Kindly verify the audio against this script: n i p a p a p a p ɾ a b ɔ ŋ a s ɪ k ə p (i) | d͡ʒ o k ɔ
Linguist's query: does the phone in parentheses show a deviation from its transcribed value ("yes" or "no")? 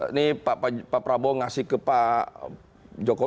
yes